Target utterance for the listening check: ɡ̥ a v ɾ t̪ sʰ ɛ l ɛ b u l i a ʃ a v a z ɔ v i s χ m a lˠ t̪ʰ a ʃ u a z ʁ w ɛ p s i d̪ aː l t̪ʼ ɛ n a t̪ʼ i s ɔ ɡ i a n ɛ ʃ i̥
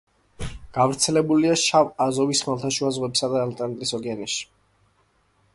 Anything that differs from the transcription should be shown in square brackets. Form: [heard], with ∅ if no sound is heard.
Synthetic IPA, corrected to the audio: ɡ̥ a v ɾ t̪ sʰ ɛ l ɛ b u l i a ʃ a v a z ɔ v i s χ m a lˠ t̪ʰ a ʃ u a z ʁ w ɛ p s [a] d̪ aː l t̪ʼ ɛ n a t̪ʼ i s ɔ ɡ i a n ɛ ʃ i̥